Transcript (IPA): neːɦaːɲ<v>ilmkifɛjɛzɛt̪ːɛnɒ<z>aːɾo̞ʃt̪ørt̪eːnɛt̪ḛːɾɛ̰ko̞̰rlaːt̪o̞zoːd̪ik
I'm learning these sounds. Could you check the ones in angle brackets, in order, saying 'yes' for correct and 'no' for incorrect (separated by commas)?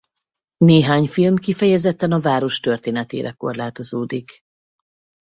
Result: no, no